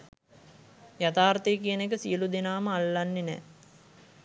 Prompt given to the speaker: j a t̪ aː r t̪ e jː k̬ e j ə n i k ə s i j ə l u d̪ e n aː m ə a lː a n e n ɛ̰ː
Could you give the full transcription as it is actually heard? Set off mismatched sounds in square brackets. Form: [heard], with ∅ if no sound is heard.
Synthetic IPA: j a t̪ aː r t̪ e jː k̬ [i] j ə n [e] k ə s i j ə l u d̪ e n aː m ə a lː a [nː] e n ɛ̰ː